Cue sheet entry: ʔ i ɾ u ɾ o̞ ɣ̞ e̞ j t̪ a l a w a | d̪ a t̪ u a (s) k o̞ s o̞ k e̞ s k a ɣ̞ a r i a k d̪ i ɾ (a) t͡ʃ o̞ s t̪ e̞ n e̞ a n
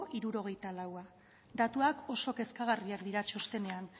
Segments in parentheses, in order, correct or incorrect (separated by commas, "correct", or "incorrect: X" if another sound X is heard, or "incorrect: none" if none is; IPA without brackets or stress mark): incorrect: none, correct